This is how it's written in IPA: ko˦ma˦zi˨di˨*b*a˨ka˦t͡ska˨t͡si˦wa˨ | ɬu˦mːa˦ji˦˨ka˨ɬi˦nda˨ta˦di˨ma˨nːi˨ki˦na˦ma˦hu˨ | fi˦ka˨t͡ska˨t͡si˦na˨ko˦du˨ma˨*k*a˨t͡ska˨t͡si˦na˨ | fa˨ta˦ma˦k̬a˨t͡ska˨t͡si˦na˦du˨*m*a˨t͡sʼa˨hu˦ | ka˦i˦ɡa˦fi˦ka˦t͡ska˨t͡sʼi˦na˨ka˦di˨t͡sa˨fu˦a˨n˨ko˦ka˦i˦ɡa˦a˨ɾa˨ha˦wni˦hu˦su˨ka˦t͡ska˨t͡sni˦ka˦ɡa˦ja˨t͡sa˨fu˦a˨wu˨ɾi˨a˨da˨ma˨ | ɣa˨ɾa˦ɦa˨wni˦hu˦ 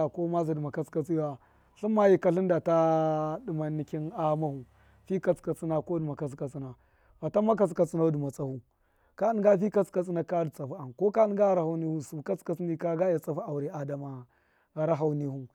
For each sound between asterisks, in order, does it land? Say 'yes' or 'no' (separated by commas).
no, yes, yes